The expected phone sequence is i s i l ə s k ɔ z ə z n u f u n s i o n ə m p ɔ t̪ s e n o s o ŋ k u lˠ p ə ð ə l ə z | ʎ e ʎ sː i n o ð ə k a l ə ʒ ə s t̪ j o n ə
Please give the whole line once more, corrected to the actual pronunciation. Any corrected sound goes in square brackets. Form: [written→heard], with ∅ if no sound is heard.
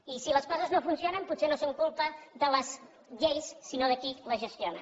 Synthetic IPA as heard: i s i l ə s k ɔ z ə z n [u→o] f u n s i o n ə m p [ɔ→u] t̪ s e n o s o ŋ k u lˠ p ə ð ə l ə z | ʎ e [ʎ→j] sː i n o ð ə k [a→i] l ə ʒ ə s t̪ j o n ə